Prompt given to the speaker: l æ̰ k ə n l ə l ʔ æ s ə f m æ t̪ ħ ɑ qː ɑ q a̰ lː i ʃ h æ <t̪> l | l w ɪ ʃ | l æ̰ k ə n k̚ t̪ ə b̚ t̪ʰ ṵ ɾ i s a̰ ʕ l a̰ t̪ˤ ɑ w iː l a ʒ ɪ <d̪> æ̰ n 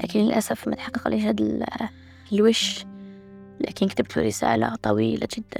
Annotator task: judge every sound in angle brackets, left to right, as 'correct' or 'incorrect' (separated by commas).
incorrect, incorrect